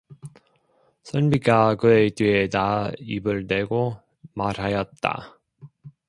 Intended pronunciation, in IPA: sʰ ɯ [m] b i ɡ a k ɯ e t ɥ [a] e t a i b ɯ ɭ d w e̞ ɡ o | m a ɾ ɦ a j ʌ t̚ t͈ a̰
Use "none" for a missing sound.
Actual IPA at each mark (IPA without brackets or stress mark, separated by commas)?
n, i